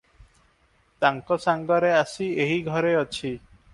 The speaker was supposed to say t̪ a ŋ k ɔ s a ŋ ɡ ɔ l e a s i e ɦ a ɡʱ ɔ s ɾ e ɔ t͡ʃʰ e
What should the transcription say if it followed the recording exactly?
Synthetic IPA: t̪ a ŋ k ɔ s a ŋ ɡ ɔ ɾ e a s i e ɦ i ɡʱ ɔ ɾ e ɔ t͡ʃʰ i